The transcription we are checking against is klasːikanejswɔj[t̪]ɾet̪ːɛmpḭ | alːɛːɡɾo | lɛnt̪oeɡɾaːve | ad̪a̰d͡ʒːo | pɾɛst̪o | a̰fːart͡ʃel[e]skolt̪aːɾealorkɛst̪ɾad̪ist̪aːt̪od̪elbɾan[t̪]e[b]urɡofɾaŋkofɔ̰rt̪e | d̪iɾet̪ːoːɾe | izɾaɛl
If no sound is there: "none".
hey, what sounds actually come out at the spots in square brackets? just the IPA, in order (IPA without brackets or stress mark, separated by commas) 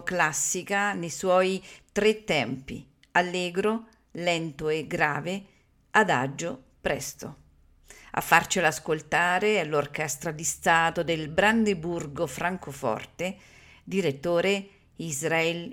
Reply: t̪, a, d̪, b